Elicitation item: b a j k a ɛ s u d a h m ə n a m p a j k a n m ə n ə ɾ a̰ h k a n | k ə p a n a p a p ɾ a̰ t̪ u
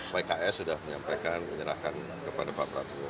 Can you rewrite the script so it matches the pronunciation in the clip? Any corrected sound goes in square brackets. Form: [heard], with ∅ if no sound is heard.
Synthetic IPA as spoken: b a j k a ɛ s u d a h m ə [ɲ] a m p a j k a n m ə [ɲ] ə ɾ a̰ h k a n | k ə p a [d] a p a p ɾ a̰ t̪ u